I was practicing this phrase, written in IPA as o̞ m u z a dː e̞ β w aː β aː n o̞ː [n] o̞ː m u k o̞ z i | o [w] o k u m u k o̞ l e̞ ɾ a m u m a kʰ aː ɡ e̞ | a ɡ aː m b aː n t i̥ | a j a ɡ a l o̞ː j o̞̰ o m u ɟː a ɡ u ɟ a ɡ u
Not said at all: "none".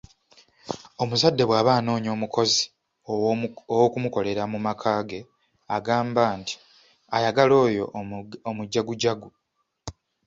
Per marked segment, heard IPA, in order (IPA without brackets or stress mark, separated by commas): ɲ, w